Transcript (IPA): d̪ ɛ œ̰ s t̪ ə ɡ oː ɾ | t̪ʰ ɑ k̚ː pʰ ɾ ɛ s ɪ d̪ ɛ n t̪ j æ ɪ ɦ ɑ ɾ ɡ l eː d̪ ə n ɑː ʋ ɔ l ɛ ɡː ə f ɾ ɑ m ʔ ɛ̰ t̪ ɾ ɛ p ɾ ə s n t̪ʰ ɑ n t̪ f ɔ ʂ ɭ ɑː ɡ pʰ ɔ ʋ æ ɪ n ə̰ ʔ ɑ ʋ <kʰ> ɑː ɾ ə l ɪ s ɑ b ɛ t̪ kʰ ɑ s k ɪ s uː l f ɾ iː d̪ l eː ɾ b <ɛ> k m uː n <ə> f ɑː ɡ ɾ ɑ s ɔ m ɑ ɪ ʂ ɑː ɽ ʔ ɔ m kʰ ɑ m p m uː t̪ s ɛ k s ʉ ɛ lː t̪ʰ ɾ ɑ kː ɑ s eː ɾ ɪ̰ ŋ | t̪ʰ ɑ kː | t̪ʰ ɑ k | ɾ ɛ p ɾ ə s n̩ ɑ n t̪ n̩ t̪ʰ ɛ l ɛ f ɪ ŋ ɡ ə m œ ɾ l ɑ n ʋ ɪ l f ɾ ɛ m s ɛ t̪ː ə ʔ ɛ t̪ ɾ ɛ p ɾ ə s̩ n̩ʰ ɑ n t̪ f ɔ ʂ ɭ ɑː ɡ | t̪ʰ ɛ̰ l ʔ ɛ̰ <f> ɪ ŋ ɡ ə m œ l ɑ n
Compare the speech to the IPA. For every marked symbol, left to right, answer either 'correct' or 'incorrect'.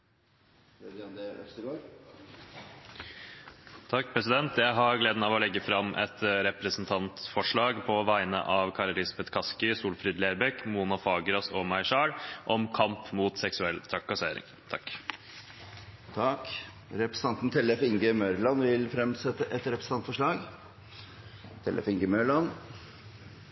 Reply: correct, correct, incorrect: ɑ, correct

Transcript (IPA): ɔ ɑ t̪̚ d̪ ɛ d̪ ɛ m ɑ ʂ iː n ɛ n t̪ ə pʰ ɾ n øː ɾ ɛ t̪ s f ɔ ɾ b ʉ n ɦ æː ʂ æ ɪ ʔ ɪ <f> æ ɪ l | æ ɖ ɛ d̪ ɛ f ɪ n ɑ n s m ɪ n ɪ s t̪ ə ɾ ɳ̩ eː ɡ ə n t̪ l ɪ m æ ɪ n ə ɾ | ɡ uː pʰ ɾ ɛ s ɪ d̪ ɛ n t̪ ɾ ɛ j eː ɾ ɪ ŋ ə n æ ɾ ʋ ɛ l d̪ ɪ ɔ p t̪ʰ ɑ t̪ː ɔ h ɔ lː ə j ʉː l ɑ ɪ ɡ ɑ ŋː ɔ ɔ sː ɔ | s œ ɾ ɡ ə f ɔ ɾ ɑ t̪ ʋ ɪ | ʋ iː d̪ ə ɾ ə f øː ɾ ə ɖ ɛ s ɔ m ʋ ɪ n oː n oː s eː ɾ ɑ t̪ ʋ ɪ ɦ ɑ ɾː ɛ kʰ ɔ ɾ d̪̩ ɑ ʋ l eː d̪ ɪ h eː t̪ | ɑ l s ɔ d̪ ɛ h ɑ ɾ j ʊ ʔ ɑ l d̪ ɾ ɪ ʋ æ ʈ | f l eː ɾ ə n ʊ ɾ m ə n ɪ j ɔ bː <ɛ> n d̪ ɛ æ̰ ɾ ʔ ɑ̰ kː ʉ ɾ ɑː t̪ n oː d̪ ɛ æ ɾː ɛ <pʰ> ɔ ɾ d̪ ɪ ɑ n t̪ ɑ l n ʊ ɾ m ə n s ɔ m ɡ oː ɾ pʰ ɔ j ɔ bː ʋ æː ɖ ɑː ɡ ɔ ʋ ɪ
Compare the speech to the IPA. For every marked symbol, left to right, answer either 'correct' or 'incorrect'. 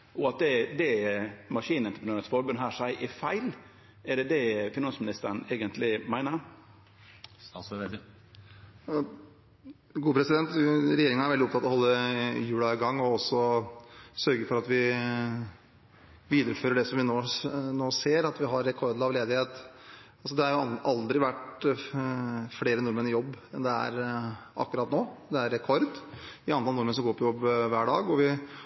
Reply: correct, correct, incorrect: kʰ

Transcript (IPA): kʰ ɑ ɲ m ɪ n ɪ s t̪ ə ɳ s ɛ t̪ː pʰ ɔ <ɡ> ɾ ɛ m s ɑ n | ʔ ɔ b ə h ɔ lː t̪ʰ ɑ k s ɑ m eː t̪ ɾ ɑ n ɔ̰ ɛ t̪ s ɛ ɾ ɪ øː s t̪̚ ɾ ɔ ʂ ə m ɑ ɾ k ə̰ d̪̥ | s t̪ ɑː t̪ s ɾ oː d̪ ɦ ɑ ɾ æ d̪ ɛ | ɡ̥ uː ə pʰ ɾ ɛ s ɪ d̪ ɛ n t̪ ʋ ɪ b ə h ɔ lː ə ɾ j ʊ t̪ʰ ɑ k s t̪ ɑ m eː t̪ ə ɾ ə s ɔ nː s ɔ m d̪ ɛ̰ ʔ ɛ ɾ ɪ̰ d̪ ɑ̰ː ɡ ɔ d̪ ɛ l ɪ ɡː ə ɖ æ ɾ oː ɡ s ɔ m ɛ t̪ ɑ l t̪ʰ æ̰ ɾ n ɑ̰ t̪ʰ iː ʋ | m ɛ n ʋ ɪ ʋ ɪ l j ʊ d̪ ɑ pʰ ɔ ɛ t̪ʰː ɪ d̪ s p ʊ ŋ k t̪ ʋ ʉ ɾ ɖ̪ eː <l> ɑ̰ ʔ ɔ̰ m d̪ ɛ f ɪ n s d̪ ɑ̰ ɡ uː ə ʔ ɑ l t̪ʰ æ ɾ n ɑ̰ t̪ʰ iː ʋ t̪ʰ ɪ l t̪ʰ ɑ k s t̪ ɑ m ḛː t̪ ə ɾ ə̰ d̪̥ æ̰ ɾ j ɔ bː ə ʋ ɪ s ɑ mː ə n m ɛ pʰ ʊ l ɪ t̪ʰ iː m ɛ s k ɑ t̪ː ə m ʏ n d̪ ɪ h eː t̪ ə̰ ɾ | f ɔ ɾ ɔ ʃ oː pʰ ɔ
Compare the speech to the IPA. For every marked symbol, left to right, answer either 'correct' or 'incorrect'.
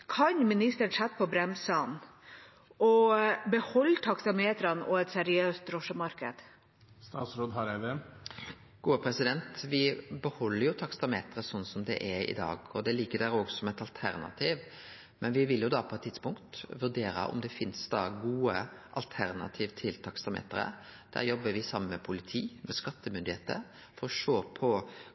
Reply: incorrect: b, incorrect: ɾ

